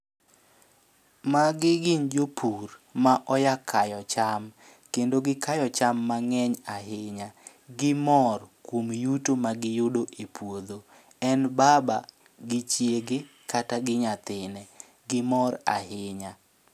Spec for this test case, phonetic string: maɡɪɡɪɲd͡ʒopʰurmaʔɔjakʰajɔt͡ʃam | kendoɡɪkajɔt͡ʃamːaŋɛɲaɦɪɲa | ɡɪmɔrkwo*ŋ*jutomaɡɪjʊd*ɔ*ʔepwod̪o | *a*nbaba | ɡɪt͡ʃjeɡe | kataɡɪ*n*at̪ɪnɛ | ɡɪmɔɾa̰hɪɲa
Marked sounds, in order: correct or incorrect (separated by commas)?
incorrect, incorrect, incorrect, incorrect